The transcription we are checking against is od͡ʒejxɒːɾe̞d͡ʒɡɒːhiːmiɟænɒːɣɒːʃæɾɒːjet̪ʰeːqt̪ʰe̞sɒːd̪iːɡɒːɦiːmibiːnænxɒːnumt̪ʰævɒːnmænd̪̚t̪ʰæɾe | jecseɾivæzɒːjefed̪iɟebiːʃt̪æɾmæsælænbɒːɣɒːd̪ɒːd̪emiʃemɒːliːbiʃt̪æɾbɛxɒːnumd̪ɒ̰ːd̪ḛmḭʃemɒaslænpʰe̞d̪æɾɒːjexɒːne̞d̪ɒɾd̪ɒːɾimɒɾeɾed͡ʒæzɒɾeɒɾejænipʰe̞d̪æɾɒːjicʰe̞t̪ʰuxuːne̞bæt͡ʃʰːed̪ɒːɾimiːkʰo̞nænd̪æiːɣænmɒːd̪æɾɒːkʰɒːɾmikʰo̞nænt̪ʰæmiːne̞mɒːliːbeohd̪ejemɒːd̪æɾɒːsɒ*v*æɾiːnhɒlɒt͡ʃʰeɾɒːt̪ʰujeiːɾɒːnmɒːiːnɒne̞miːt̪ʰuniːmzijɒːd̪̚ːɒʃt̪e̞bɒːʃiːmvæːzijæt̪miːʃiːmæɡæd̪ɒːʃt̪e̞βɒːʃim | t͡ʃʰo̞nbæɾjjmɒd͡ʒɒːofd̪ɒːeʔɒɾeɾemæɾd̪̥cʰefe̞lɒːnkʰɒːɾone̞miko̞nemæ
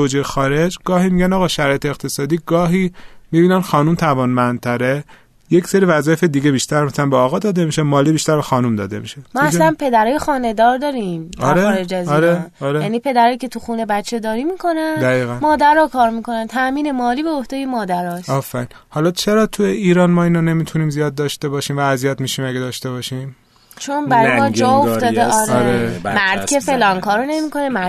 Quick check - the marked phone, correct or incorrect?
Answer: incorrect